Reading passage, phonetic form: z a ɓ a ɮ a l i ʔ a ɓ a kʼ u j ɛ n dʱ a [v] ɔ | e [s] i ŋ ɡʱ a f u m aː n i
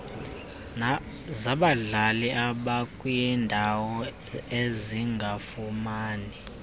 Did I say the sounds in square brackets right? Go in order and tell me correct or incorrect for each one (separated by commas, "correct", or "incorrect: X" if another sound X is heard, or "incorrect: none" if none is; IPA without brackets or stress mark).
incorrect: w, incorrect: z